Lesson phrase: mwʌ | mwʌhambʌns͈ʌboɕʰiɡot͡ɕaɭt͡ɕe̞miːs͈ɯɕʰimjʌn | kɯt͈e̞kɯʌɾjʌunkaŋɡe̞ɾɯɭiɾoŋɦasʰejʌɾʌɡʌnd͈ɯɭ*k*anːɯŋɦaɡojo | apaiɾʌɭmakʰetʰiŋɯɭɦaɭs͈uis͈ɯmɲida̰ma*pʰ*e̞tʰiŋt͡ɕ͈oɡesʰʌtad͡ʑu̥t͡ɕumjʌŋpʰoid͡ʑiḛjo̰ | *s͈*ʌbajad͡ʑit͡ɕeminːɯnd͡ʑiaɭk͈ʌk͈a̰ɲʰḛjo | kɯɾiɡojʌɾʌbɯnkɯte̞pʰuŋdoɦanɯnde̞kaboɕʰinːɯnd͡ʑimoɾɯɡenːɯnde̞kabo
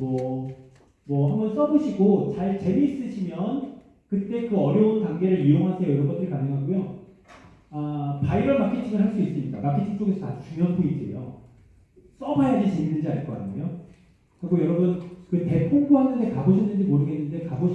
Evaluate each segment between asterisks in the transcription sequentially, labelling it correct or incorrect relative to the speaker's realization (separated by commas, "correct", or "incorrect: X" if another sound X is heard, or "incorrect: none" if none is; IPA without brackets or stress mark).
correct, incorrect: kʰ, correct